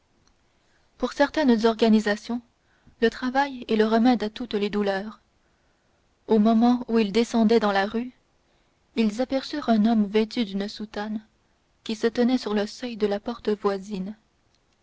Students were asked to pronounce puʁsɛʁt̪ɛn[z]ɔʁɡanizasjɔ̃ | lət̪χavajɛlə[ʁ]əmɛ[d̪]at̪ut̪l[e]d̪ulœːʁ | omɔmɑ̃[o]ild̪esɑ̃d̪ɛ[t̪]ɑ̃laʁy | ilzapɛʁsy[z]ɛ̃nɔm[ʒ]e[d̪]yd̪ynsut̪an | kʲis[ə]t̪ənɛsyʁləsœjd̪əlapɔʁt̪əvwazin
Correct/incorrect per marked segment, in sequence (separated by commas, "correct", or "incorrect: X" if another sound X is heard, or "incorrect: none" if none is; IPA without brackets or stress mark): correct, correct, correct, correct, incorrect: u, incorrect: d̪, incorrect: ʁ, incorrect: v, incorrect: t̪, correct